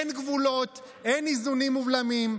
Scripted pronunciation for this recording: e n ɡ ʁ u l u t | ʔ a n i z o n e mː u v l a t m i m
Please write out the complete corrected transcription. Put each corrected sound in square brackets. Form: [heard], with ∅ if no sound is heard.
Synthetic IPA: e n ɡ [v] u l [o] t | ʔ [e] n i z [u] n [i] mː u v l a [∅] m i m